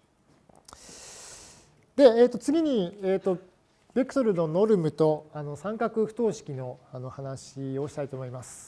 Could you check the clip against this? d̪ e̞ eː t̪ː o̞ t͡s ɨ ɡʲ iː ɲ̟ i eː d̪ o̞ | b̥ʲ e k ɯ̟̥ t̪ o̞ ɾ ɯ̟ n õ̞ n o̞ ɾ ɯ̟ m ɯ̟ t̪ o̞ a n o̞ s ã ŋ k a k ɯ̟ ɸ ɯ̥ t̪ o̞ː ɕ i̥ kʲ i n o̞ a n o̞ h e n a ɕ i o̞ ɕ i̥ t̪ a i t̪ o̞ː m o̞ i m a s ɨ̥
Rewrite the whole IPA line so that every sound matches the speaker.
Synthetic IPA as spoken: d̪ e̞ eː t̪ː o̞ t͡s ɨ ɡʲ i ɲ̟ i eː t̪ o̞ | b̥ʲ e k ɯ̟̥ t̪ o̞ ɾ ɯ̟ n o̞ n o̞ ɾ ɯ̟ m ɯ̟ t̪ o̞ a n o̞ s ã ŋ k a k ɯ̟ ɸ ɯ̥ t̪ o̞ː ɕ i̥ kʲ i n o̞ a n o̞ h a n a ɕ i o̞ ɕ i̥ t̪ a i t̪ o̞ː m o̞ i m a s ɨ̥

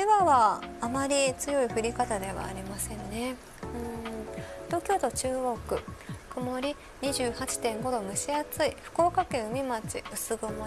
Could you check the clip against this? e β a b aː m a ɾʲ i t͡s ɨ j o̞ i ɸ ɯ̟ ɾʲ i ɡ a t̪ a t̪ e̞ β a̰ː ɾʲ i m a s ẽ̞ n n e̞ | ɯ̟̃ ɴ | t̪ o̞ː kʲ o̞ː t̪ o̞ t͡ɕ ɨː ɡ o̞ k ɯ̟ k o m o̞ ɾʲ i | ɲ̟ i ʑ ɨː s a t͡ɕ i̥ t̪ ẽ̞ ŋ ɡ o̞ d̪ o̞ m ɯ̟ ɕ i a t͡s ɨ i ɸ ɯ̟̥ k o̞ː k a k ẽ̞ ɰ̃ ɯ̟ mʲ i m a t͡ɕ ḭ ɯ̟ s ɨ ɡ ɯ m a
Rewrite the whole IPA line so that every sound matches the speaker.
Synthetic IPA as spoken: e β a β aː m a ɾʲ i t͡s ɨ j o̞ i ɸ ɯ̟ ɾʲ i k a t̪ a d̪ e̞ β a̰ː ɾʲ i m a s ẽ̞ n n e̞ | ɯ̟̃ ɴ | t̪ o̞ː kʲ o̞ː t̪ o̞ t͡ɕ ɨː ɡ o̞ k ɯ̟ k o m o̞ ɾʲ i | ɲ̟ i ʑ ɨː h a t͡ɕ i̥ t̪ ẽ̞ ŋ ɡ o̞ d̪ o̞ m ɯ̟ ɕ i a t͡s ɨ i ɸ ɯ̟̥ k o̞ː k a k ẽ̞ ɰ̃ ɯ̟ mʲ i m a t͡ɕ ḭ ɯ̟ s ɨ ɡ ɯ m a

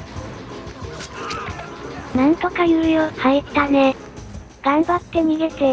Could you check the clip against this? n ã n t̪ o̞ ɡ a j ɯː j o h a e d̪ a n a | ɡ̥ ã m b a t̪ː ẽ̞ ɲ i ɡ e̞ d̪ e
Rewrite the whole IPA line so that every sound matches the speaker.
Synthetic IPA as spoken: n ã n t̪ o̞ k a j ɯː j o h a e t̪ a n e | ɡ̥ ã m b a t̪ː e̞ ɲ i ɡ e̞ t̪ e

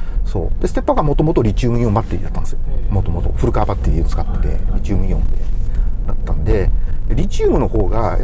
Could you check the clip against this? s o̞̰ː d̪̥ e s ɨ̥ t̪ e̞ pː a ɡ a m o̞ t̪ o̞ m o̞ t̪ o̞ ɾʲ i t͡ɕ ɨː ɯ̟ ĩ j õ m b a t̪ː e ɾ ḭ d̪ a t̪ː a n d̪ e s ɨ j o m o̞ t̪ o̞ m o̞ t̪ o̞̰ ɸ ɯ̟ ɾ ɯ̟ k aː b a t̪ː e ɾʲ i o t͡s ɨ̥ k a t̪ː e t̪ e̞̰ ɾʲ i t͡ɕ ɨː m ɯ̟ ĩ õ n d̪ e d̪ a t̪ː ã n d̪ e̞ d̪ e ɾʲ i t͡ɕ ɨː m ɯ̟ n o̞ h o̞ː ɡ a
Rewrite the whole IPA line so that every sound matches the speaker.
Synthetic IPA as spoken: s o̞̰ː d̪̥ e s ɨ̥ t̪ e̞ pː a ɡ a m o̞ t̪ o̞ m o̞ t̪ o̞ ɾʲ i t͡ɕ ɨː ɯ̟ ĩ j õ m b a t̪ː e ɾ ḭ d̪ a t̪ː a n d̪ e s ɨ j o m o̞ t̪ o̞ m o̞ t̪ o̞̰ ɸ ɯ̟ ɾ ɯ̟ k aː b a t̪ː e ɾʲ i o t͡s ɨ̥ k a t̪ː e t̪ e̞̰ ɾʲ i t͡ɕ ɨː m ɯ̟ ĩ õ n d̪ e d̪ a t̪ː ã n d̪ e̞ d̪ e ɾʲ i t͡ɕ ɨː m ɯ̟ n o̞ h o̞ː ɡ a

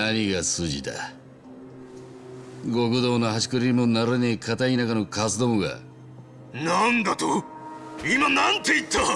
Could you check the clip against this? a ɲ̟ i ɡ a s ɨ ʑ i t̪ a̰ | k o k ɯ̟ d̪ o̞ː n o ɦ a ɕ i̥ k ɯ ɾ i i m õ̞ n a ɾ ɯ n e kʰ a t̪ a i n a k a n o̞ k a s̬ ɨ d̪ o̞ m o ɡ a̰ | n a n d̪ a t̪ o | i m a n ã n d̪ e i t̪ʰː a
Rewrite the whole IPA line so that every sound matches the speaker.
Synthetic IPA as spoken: a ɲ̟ i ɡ a s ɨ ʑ i t̪ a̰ | ɡ o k ɯ̟ d̪ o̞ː n o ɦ a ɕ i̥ k ɯ ɾ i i m o̞ n a ɾ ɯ n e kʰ a t̪ a i n a k a n o̞ k a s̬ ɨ d̪ o̞ m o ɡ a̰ | n a n d̪ a t̪ o | i m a n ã n t̪ e i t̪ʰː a

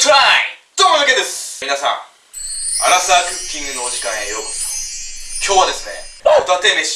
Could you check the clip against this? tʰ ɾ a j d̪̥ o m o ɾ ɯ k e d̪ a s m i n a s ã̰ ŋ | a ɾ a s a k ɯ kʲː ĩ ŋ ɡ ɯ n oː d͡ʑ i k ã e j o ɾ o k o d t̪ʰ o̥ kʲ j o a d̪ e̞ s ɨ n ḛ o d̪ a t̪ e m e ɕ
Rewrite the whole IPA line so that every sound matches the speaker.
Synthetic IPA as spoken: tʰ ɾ a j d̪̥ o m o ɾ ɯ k e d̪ e s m i n a s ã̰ ŋ | a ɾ a s a k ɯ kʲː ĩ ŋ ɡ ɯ n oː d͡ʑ i k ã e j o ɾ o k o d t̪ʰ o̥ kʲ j o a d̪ e̞ s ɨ n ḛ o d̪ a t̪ e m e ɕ

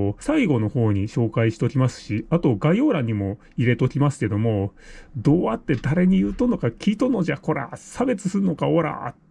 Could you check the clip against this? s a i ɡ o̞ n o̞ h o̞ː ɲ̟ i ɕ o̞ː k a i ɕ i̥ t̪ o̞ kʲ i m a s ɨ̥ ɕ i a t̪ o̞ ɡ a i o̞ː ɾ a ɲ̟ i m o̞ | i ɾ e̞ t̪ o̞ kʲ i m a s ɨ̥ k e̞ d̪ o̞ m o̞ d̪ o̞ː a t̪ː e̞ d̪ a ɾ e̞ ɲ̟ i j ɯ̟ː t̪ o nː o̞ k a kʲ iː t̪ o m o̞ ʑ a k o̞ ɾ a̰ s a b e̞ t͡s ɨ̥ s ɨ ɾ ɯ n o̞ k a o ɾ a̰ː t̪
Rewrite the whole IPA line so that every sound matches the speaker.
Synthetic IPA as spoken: s a i ɡ o̞ n o̞ h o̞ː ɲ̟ i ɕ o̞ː k a i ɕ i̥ t̪ o̞ kʲ i m a s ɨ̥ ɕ i a t̪ o̞ ɡ a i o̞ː ɾ a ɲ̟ i m o̞ | i ɾ e̞ t̪ o̞ kʲ i m a s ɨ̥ k e̞ d̪ o̞ m o̞ d̪ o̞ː a t̪ː e̞ d̪ a ɾ e̞ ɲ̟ i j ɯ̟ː t̪ o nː o̞ k a kʲ iː t̪ o n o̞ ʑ a k o̞ ɾ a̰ s a b e̞ t͡s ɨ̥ s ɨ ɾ ɯ n o̞ k a o ɾ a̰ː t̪

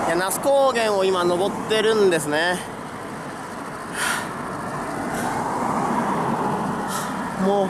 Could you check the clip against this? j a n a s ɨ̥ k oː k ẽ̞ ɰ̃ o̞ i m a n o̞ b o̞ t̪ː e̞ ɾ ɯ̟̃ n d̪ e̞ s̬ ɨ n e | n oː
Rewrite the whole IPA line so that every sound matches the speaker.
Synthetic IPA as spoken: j a n a s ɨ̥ k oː ɡ ẽ̞ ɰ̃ o̞ i m a n o̞ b o̞ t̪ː e̞ ɾ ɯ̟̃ n d̪ e̞ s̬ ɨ n e | m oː

